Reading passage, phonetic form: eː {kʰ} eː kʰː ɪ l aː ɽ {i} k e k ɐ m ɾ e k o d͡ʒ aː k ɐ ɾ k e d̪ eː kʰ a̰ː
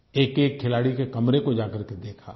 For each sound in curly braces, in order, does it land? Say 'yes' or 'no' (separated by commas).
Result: no, yes